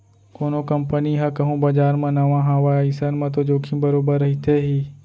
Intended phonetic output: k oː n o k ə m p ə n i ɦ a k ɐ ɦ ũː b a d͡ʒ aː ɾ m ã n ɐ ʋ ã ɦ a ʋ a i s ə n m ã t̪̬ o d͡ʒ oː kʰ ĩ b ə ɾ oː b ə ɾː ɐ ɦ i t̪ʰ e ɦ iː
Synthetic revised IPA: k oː n o k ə m p ə n i ɦ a k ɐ ɦ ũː b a d͡ʒ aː ɾ m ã n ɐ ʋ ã ɦ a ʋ a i s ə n m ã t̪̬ o d͡ʒ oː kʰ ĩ b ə ɾ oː b ə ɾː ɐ ɦ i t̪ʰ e ɦ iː